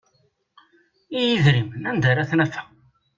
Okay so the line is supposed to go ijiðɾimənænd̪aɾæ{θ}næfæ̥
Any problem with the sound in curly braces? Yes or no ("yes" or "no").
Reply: no